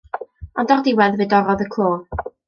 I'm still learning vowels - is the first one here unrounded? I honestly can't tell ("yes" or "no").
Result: no